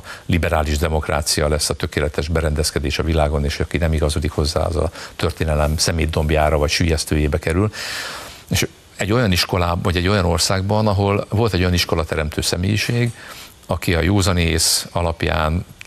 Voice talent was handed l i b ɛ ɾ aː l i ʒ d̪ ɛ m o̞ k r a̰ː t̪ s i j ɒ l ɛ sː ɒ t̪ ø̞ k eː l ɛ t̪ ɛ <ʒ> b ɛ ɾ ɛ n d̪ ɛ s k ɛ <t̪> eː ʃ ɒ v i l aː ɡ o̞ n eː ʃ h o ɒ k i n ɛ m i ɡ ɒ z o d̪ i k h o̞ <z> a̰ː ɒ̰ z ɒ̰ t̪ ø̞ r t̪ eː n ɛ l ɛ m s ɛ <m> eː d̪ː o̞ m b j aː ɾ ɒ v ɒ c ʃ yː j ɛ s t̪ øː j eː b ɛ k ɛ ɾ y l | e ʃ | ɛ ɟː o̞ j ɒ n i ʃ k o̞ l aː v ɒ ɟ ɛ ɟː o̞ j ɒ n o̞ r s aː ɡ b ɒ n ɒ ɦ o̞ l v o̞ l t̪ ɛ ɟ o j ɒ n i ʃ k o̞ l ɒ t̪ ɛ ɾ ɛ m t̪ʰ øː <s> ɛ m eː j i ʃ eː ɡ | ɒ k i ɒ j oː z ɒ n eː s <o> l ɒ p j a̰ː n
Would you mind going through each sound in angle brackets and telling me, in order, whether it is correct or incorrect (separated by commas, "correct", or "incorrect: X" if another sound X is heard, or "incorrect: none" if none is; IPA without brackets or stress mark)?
correct, incorrect: d̪, incorrect: zː, correct, correct, incorrect: ɒ